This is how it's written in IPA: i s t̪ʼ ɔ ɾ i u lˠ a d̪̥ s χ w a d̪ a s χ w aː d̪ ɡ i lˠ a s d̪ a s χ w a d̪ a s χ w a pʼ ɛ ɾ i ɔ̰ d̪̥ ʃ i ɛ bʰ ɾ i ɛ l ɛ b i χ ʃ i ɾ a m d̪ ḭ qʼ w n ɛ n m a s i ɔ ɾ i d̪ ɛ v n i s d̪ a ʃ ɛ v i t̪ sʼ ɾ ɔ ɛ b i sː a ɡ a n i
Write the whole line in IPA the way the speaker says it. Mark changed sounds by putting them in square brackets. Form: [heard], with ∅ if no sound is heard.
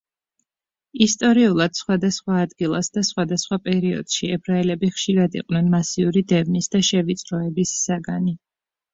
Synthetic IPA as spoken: i s t̪ʼ ɔ ɾ i u lˠ a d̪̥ s χ w a d̪ a s χ w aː d̪ ɡ i lˠ a s d̪ a s χ w a d̪ a s χ w a pʼ ɛ ɾ i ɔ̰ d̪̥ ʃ i ɛ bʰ ɾ [a] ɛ l ɛ b i χ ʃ i ɾ a [∅] d̪ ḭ qʼ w n ɛ n m a s i [u] ɾ i d̪ ɛ v n i s d̪ a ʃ ɛ v i t̪ sʼ ɾ ɔ ɛ b i sː a ɡ a n i